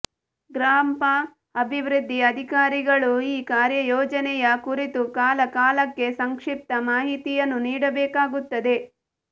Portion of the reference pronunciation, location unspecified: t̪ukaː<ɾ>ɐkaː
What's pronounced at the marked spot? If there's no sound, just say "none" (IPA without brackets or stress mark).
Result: l